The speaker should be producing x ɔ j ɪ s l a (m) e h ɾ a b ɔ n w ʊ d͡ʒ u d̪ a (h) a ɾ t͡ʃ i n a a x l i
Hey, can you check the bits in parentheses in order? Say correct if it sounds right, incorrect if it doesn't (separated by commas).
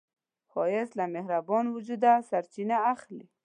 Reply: correct, incorrect